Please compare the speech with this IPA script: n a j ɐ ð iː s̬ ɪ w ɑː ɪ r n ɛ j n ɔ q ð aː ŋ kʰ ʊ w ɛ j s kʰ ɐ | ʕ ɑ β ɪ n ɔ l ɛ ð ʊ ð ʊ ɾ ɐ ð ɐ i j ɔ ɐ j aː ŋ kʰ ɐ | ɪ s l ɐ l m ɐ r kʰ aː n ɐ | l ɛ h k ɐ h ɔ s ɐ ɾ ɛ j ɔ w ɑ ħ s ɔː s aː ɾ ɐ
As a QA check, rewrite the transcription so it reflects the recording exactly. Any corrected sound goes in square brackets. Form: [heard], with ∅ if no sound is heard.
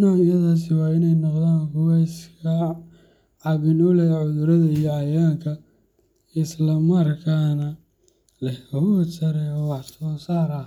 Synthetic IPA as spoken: n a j ɐ ð [aː] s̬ ɪ w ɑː ɪ [∅] n ɛ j n ɔ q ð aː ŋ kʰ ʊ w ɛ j s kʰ ɐ | ʕ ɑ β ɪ n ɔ l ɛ [ʕ] ʊ ð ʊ ɾ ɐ ð ɐ i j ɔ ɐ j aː ŋ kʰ ɐ | ɪ s l ɐ [∅] m ɐ r kʰ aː n ɐ | l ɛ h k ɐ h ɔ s ɐ ɾ ɛ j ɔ w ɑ ħ s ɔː s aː ɾ ɐ